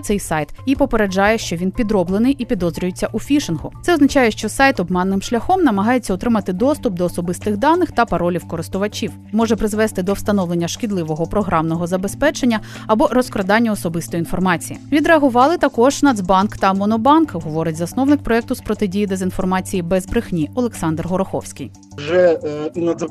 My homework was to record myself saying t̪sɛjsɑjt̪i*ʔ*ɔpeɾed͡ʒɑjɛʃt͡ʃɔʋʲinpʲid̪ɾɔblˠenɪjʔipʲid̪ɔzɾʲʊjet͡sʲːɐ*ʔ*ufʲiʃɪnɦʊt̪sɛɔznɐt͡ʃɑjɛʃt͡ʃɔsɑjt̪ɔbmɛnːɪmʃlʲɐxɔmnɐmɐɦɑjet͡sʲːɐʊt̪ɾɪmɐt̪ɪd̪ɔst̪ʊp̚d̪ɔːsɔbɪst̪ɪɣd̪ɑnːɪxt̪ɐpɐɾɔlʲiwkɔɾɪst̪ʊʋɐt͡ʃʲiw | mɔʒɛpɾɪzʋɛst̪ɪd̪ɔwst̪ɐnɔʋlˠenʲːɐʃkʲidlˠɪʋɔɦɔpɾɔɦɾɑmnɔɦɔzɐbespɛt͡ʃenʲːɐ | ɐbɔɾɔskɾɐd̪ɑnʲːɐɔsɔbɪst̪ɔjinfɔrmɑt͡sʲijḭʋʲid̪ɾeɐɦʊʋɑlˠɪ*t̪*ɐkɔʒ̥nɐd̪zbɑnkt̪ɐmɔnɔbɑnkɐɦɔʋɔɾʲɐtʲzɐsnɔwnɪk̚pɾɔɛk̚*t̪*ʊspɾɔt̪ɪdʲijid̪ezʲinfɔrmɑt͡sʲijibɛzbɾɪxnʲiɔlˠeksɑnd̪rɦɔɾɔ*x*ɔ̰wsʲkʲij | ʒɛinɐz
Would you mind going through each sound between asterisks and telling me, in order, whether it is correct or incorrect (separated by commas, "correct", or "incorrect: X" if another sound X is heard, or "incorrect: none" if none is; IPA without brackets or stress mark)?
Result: incorrect: p, correct, correct, correct, correct